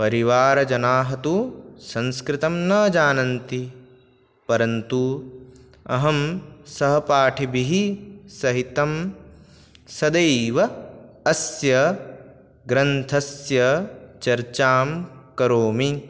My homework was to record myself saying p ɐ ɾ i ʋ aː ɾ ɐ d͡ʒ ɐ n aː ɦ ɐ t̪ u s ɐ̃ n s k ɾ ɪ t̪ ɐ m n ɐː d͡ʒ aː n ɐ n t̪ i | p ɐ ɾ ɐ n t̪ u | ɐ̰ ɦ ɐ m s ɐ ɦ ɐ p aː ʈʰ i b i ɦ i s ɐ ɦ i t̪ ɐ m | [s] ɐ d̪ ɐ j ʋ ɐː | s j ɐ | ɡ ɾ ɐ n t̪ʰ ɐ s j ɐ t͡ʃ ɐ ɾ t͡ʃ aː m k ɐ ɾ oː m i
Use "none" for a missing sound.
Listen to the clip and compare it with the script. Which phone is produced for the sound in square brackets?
s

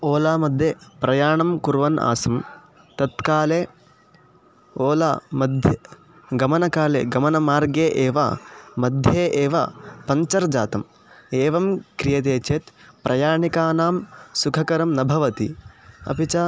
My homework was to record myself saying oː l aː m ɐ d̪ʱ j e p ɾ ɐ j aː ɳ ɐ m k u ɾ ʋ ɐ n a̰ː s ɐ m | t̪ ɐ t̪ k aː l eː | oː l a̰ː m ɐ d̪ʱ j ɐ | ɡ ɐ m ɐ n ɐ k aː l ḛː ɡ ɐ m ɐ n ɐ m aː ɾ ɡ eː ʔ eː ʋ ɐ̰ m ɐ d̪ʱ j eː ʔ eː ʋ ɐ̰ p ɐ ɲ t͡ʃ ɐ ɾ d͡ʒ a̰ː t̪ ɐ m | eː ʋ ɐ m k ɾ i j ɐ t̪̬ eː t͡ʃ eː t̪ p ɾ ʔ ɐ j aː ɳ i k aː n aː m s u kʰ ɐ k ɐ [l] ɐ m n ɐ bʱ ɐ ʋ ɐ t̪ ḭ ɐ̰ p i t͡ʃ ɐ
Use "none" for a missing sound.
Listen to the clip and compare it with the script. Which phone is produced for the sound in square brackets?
ɾ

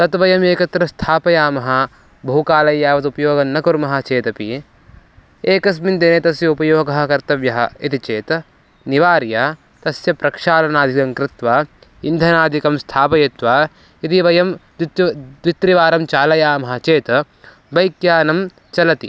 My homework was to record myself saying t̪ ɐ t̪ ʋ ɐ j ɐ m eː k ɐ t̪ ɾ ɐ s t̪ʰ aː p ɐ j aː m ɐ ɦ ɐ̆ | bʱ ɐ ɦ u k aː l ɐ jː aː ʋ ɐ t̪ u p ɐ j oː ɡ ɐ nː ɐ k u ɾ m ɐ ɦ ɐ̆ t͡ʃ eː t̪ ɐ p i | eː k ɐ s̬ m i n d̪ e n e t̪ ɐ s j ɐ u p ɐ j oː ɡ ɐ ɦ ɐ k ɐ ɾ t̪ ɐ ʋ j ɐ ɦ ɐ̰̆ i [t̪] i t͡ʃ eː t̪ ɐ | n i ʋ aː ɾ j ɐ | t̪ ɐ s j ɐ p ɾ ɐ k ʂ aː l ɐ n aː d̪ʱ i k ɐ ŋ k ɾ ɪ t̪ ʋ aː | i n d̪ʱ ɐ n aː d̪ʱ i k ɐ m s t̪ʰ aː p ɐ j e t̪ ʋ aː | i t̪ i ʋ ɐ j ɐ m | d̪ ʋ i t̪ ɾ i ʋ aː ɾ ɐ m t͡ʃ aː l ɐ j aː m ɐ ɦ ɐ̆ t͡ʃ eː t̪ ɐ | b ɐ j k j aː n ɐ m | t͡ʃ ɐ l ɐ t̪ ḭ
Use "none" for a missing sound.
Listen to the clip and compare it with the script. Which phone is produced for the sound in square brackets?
t̪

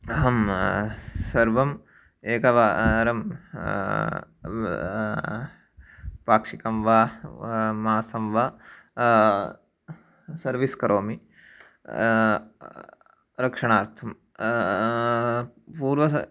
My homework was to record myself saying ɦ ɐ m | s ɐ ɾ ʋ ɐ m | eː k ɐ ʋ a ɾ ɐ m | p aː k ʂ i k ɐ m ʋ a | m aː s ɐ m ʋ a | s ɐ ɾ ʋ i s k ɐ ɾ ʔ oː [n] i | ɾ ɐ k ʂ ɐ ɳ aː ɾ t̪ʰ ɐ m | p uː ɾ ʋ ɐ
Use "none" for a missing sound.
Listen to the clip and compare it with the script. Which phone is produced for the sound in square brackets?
m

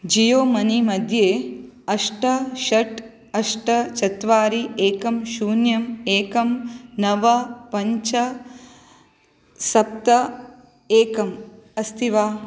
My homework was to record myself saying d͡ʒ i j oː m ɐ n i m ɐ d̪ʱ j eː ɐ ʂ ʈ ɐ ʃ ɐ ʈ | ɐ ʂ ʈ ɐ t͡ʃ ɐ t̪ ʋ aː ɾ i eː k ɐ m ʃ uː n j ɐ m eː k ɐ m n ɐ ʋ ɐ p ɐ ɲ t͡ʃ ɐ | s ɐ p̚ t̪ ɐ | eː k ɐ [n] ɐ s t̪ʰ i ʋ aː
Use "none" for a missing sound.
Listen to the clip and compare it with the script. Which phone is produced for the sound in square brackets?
m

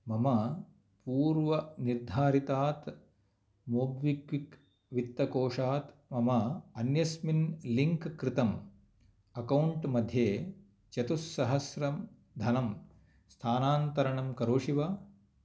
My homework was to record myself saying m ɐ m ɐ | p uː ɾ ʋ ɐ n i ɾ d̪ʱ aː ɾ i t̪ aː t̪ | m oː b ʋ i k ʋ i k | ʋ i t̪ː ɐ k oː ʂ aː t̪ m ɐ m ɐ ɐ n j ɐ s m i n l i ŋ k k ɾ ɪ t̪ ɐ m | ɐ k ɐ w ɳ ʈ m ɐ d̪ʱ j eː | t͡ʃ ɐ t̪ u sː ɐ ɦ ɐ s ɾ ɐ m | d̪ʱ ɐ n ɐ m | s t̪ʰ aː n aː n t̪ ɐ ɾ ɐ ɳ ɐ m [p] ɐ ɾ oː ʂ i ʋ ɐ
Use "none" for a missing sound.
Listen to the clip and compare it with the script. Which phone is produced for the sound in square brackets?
k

